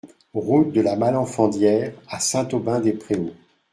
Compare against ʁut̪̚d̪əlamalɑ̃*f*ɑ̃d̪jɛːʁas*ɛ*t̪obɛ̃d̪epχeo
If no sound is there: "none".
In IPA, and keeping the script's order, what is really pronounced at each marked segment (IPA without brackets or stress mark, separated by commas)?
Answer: f, ɛ̃